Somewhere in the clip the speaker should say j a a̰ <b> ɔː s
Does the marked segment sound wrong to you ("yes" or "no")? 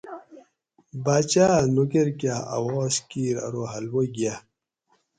yes